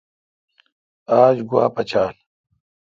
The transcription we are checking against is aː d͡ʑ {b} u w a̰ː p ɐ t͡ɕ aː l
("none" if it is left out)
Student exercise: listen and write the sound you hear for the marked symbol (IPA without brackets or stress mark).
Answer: ɡ